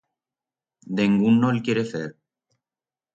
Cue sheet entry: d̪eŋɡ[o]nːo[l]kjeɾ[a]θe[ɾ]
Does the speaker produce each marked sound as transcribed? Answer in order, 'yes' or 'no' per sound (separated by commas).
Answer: no, yes, no, yes